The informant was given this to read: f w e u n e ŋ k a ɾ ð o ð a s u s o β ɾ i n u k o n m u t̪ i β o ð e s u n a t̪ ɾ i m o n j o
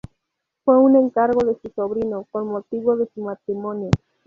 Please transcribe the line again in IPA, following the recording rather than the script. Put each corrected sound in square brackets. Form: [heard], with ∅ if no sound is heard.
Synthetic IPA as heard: f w e u n e ŋ k a ɾ [ɣ] o ð [e] s u s o β ɾ i n [o] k o n m [o] t̪ i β o ð e s u [m] a t̪ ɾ i m o n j o